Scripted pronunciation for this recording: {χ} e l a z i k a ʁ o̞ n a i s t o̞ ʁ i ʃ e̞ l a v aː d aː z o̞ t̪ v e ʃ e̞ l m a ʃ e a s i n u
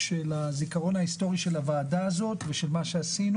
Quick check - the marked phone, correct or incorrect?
incorrect